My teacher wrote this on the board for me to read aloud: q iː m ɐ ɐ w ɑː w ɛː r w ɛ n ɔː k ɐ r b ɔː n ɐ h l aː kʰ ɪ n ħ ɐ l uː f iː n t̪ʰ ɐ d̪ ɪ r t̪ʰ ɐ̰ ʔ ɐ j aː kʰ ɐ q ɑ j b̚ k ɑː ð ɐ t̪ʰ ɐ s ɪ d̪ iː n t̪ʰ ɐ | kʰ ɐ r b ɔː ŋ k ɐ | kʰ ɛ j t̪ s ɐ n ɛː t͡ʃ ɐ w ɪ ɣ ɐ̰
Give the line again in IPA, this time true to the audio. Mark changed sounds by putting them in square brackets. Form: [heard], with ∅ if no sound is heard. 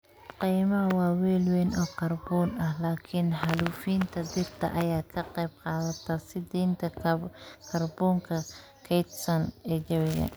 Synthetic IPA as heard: q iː m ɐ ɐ w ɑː w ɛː [l] w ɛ n ɔː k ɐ r b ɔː n ɐ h l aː kʰ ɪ n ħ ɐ l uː f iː n t̪ʰ ɐ d̪ ɪ r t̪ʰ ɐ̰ ʔ ɐ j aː kʰ ɐ q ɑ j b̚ [q] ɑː ð ɐ t̪ʰ ɐ s ɪ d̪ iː n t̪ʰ ɐ | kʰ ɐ r b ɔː ŋ [kʰ] ɐ | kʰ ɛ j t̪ s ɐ n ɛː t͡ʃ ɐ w ɪ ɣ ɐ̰